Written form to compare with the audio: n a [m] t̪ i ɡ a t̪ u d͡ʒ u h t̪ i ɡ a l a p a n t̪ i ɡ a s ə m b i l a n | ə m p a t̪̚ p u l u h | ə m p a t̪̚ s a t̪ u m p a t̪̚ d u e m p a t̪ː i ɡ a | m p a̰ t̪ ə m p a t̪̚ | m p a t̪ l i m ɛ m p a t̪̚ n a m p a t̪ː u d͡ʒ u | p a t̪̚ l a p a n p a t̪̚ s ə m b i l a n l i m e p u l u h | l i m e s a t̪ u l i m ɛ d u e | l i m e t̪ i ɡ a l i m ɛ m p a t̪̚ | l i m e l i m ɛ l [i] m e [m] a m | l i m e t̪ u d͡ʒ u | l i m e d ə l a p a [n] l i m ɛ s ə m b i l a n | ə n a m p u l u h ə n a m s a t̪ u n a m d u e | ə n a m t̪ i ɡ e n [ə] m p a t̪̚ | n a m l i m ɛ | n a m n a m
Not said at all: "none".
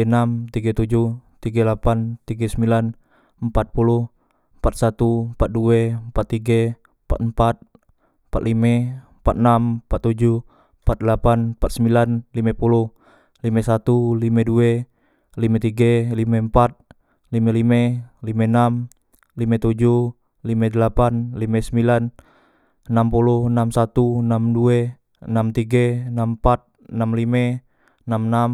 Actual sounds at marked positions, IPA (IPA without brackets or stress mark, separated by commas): m, i, n, n, a